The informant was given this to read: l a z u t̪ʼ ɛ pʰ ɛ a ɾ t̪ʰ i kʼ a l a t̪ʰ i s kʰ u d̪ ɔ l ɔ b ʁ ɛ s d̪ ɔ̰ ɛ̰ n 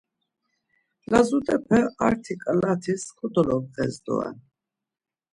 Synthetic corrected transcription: l a z u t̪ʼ ɛ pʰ ɛ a ɾ t̪ʰ i kʼ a l a t̪ʰ i s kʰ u d̪ ɔ l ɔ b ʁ ɛ z d̪ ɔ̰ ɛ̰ n